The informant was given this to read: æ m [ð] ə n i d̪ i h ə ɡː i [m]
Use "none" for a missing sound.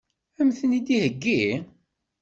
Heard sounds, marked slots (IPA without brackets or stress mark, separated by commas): θ, none